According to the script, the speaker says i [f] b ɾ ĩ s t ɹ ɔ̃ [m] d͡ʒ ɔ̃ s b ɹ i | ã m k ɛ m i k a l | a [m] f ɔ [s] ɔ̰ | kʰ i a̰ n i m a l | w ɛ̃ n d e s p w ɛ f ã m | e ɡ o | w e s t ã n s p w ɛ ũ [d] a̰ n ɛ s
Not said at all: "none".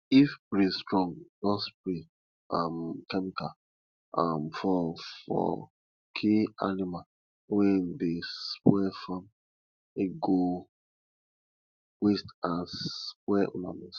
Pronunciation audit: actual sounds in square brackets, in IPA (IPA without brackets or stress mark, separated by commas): f, ŋ, m, f, n